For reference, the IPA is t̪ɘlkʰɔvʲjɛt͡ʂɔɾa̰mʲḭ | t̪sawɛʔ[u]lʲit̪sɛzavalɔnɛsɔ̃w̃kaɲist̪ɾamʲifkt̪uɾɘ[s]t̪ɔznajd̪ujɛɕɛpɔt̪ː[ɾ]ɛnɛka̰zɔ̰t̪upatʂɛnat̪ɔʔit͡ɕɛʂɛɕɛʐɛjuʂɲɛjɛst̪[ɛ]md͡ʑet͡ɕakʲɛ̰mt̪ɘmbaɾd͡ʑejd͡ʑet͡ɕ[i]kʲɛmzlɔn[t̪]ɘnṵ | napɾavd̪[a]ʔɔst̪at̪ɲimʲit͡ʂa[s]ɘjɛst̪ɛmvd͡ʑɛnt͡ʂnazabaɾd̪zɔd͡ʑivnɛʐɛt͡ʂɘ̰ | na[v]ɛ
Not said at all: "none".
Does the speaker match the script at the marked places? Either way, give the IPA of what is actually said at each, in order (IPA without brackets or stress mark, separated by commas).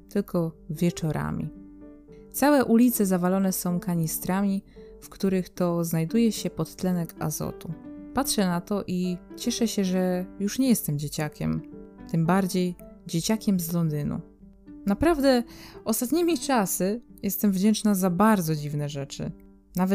u, x, l, ɛ, a, d̪, ɛ, s, v